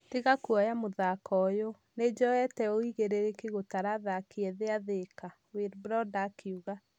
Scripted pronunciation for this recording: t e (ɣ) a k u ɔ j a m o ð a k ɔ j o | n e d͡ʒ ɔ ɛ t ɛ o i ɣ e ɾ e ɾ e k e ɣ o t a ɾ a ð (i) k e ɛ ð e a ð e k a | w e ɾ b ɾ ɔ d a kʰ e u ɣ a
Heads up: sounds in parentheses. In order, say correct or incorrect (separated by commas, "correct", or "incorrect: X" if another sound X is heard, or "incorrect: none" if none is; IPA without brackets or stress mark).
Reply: correct, incorrect: a